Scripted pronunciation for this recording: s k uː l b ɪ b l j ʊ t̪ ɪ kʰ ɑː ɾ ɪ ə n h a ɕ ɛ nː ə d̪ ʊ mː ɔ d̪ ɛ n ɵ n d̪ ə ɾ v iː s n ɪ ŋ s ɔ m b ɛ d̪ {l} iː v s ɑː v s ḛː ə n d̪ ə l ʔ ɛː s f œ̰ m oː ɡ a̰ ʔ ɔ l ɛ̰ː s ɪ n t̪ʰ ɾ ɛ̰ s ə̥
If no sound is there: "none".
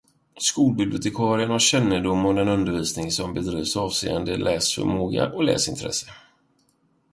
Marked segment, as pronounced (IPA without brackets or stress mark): ɾ